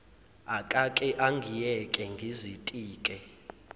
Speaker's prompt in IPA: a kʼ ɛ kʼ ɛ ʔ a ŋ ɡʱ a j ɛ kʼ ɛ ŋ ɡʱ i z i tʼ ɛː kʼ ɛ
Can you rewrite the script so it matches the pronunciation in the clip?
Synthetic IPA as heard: a kʼ a kʼ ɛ ʔ a ŋ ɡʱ i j ɛ kʼ ɛ ŋ ɡʱ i z i tʼ iː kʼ ɛ